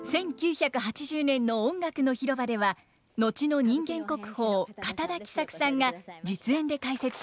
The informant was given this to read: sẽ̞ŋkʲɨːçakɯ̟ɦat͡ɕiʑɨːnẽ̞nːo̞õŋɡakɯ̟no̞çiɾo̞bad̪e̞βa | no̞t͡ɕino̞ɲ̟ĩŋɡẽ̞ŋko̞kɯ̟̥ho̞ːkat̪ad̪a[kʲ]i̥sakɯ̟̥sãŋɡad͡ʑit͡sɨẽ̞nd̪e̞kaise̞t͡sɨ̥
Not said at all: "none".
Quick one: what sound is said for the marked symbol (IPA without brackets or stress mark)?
kʲ